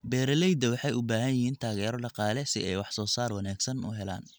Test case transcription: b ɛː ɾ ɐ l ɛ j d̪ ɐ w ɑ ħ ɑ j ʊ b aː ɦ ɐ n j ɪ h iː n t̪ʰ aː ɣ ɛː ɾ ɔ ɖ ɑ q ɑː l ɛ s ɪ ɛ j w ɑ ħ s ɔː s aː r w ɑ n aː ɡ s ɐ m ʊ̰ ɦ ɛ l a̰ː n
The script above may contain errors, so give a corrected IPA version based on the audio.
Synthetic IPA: b ɛː ɾ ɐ l ɛ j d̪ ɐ w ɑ ħ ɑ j ʊ b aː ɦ ɐ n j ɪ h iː n t̪ʰ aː ɣ ɛː ɾ ɔ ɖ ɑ q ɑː l ɛ s ɪ ɛ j w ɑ ħ s ɔː s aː r w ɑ n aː ɡ s ɐ n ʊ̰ ɦ ɛ l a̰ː n